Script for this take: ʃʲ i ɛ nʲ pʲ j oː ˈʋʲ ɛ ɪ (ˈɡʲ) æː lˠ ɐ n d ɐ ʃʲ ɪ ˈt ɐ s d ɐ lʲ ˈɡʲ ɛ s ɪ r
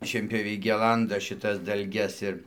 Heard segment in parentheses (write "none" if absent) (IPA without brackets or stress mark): ɡʲ